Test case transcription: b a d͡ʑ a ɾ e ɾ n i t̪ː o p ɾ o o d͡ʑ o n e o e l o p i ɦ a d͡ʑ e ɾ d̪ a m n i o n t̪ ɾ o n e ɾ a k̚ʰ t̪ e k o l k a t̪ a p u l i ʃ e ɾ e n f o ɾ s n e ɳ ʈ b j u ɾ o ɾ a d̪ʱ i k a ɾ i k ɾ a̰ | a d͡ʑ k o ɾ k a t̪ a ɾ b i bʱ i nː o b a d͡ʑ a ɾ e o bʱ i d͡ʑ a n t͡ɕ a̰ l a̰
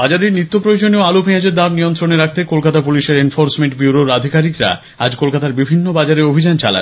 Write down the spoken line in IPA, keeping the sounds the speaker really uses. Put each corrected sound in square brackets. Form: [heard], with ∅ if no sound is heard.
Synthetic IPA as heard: b a d͡ʑ a ɾ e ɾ n i t̪ː o p ɾ o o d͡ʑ o n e o [a] l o p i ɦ a d͡ʑ e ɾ d̪ a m n i o n t̪ ɾ o n e ɾ a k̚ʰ t̪ e k o l k a t̪ a p u l i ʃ e ɾ e n f o ɾ s [m] e ɳ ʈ b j u ɾ o ɾ a d̪ʱ i k a ɾ i k ɾ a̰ | a d͡ʑ k o [l] k a t̪ a ɾ b i bʱ i nː o b a d͡ʑ a ɾ e o bʱ i d͡ʑ a n t͡ɕ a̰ l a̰